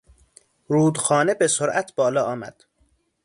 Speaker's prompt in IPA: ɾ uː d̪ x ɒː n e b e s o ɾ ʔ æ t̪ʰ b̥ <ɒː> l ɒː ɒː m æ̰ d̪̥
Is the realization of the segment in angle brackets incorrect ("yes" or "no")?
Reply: no